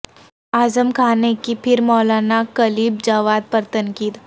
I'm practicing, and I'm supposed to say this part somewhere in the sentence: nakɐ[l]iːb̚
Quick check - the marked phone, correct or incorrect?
correct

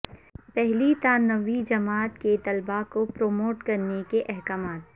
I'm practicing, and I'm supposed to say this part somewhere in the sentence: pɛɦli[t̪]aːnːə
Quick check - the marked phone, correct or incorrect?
correct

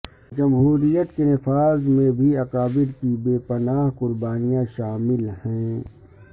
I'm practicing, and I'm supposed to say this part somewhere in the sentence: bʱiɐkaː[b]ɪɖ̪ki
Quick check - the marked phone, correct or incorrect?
correct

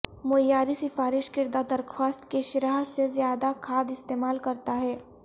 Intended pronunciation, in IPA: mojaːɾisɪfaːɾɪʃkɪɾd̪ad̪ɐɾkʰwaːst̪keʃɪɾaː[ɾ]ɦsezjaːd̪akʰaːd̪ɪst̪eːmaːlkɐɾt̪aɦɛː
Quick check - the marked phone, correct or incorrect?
incorrect: none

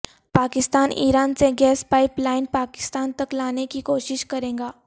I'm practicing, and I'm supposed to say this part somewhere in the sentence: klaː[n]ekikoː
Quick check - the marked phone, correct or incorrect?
correct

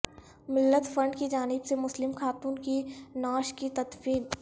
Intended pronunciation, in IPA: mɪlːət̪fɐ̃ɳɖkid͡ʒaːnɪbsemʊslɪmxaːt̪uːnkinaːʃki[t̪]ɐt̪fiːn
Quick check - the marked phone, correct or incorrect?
correct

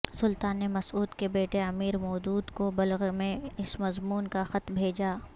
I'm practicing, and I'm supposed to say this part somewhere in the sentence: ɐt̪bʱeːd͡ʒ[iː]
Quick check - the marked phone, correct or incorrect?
incorrect: aː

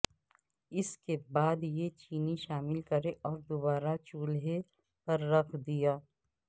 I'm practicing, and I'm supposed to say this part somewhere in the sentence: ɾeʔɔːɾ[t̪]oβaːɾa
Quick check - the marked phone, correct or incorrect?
incorrect: d̪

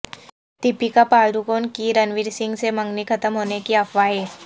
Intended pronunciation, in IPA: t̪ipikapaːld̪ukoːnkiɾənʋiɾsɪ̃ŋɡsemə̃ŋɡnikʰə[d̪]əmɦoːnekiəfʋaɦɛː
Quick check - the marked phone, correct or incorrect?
incorrect: t̪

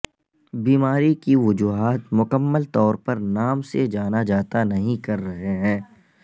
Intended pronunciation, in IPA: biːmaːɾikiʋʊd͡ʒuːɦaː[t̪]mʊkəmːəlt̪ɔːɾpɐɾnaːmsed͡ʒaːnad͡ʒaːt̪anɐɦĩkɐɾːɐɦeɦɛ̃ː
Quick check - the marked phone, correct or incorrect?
correct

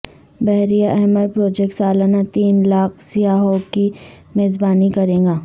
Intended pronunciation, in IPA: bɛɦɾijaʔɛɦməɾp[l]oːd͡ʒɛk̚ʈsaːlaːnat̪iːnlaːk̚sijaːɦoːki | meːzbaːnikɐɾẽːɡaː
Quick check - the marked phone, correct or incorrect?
incorrect: ɾ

